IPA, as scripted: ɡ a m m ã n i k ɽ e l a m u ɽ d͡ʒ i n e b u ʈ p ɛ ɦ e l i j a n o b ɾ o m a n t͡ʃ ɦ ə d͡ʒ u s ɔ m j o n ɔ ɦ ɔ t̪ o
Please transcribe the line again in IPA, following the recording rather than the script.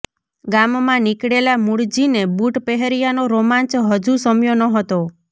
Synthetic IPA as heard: ɡ a m m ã n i k ɽ e l a m u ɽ d͡ʒ i n e b u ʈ p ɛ ɦ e ɾ i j a n o ɾ o m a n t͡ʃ ɦ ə d͡ʒ u s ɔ m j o n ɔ ɦ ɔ t̪ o

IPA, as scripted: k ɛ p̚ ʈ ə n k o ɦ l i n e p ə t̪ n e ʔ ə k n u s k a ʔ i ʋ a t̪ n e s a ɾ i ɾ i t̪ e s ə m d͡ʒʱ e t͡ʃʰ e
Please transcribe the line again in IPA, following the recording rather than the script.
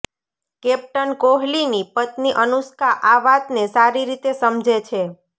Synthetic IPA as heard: k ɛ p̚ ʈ ə n k o ɦ l i n i p ə t̪ n i ʔ ə n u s k a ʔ a ʋ a t̪ n e s a ɾ i ɾ i t̪ e s ə m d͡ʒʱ e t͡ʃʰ e

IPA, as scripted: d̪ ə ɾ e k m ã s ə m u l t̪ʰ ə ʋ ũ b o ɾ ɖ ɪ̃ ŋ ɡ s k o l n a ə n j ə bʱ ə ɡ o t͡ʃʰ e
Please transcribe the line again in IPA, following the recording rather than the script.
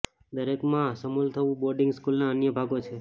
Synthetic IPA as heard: d̪ ə ɾ e k m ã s ə m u l t̪ʰ ə ʋ ũ b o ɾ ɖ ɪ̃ ŋ ɡ s k u l n a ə n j ə bʱ a ɡ o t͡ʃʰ e

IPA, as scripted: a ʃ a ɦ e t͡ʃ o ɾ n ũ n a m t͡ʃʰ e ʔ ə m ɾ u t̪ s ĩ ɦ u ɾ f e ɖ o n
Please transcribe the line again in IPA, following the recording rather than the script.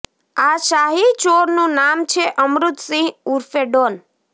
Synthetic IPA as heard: a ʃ a ɦ i t͡ʃ o ɾ n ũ n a m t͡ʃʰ e ʔ ə m ɾ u t̪ s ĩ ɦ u ɾ f e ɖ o n

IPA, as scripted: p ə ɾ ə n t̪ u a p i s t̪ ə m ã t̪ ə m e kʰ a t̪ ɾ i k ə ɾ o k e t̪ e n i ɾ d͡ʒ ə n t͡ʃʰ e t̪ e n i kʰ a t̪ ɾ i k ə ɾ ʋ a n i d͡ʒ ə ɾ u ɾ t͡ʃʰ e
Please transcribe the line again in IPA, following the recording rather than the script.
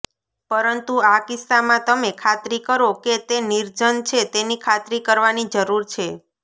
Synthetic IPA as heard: p ə ɾ ə n t̪ u a k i s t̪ a m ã t̪ ə m e kʰ a t̪ ɾ i k ə ɾ o k e t̪ e n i ɾ d͡ʒ ə n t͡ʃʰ e t̪ e n i kʰ a t̪ ɾ i k ə ɾ ʋ a n i d͡ʒ ə ɾ u ɾ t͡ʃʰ e

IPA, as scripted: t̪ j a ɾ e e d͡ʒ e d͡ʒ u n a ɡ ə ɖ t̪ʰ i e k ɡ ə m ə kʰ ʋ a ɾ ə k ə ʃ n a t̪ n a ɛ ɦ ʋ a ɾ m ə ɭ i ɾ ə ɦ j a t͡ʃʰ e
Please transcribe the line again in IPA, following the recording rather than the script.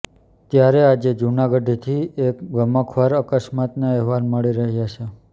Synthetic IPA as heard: t̪ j a ɾ e a d͡ʒ e d͡ʒ u n a ɡ ə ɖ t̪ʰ i e k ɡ ə m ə kʰ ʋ a ɾ ə k ə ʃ m a t̪ n a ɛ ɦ ʋ a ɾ m ə ɭ i ɾ ə ɦ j a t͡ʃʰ e

